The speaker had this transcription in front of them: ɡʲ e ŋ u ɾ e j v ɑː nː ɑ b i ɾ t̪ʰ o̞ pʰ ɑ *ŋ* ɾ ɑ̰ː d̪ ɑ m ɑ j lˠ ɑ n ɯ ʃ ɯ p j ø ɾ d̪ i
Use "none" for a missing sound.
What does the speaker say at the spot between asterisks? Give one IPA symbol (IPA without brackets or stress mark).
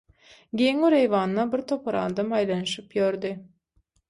none